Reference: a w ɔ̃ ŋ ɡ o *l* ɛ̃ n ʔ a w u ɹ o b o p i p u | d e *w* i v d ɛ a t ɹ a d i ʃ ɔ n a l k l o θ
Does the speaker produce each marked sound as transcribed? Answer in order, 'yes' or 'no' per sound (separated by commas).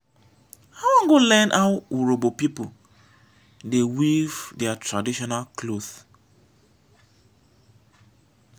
yes, yes